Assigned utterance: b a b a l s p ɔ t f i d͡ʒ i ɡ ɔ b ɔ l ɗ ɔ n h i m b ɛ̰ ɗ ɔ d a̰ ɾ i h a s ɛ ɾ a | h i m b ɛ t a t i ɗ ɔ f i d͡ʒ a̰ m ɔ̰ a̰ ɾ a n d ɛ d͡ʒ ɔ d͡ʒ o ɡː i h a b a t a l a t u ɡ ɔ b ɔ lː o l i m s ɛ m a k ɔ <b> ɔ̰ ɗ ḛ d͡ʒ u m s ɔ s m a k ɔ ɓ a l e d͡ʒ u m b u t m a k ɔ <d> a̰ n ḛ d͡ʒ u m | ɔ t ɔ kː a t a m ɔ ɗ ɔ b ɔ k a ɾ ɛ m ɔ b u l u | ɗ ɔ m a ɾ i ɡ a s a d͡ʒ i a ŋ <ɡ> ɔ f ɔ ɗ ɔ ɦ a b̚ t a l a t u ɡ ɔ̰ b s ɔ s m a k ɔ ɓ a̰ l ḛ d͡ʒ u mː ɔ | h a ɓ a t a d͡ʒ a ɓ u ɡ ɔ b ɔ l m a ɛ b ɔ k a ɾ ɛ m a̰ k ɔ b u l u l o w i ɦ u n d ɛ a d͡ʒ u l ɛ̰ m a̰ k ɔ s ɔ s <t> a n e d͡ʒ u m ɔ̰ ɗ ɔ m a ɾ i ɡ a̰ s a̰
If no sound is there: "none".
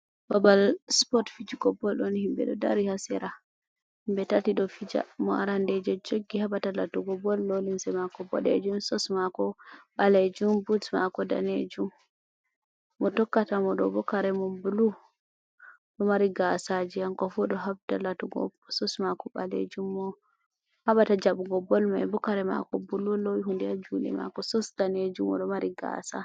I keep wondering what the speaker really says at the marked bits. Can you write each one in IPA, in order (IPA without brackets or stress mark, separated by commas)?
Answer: b, d, k, d